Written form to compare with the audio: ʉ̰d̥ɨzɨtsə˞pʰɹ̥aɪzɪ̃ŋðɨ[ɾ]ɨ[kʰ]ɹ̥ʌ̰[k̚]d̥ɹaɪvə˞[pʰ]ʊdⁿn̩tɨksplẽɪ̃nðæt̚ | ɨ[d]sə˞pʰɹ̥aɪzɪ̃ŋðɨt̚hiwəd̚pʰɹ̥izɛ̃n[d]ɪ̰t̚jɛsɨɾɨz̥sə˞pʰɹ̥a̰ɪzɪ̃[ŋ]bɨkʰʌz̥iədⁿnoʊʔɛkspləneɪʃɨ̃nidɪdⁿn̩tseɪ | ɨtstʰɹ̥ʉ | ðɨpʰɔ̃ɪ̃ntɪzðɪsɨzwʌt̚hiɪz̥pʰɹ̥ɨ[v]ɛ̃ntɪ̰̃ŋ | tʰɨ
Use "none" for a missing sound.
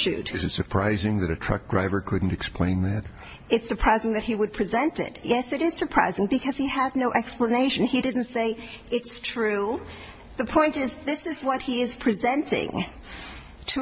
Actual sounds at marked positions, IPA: ɾ, tʰ, k̚, kʰ, t, t, ŋ, z

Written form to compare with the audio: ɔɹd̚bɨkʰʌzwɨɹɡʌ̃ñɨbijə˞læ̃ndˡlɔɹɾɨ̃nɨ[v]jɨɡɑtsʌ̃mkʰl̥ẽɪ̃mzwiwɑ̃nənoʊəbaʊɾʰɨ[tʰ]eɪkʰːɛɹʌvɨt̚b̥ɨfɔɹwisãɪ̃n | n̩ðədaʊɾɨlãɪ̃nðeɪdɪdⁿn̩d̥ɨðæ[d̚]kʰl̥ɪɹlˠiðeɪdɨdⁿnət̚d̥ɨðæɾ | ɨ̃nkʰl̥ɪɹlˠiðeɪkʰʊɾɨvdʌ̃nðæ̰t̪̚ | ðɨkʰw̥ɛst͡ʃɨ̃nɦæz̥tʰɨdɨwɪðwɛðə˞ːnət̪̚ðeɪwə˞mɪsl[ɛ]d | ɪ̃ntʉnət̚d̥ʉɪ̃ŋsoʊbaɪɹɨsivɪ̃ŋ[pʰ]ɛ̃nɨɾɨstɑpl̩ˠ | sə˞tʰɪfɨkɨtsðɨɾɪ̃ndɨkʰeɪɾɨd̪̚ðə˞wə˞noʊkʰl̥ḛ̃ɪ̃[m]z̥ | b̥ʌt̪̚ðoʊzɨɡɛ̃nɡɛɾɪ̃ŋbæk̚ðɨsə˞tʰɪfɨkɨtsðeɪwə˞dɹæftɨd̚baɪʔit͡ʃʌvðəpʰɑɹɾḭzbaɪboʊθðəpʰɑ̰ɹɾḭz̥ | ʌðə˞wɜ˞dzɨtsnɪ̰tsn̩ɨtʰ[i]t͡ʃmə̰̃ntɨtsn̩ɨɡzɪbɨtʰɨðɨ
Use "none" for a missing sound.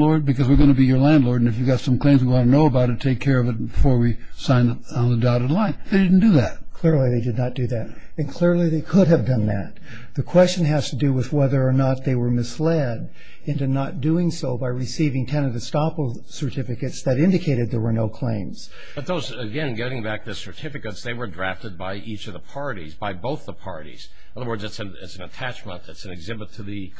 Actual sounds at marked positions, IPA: f, tʰ, t̚, ɛ, tʰ, m, æ

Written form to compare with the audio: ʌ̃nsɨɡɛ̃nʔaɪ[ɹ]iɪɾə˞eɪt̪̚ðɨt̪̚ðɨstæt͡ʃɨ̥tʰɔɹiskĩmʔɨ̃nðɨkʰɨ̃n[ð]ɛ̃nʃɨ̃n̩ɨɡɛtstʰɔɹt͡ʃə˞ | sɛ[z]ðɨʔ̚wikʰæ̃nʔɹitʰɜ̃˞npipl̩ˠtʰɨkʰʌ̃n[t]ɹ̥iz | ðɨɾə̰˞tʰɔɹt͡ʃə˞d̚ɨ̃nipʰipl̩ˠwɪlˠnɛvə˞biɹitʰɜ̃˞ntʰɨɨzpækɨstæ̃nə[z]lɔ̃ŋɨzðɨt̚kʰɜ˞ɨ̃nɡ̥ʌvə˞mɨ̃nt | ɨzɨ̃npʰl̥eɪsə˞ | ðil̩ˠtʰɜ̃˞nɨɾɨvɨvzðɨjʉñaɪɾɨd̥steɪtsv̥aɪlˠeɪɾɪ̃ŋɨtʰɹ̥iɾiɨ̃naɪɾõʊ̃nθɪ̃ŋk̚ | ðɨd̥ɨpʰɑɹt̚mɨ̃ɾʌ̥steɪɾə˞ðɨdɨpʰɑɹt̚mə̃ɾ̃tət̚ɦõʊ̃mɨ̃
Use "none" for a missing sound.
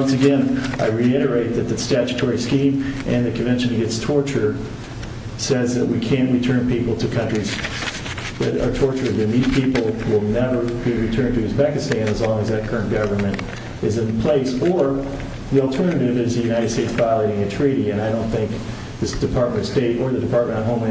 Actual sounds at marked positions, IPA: ɹ, v, z, t͡ʃ, z

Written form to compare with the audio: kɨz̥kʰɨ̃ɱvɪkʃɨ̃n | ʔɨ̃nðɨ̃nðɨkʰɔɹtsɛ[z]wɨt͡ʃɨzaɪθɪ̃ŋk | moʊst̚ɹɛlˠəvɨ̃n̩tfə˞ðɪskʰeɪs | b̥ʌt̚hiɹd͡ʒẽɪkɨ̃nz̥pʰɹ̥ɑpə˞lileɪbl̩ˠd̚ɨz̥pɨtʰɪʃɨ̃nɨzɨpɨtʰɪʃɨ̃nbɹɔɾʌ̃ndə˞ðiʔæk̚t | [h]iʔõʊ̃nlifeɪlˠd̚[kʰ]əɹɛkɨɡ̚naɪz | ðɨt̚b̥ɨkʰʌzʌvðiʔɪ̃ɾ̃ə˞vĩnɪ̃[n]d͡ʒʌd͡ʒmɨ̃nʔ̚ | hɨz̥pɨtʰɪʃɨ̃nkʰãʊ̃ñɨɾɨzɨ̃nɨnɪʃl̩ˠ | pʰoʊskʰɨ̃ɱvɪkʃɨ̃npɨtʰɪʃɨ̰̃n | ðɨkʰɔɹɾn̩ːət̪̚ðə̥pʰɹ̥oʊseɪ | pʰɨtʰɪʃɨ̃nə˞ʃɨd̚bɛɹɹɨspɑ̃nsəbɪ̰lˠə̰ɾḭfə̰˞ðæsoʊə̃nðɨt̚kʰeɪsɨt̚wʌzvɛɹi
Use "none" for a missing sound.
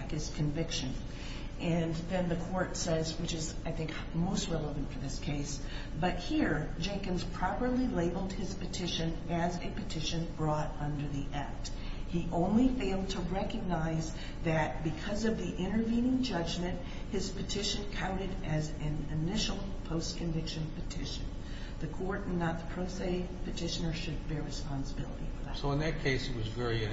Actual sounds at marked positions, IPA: z, h, tʰ, ŋ

